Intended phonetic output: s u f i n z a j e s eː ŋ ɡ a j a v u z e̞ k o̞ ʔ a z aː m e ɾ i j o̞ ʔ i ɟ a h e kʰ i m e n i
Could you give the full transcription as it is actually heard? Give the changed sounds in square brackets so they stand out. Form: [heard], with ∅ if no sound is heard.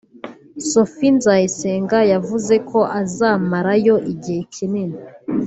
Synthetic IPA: s [o] f i n z a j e s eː ŋ ɡ a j a v u z e̞ k o̞ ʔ a z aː m [a] ɾ [a] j o̞ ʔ i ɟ [i] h e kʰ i [n] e n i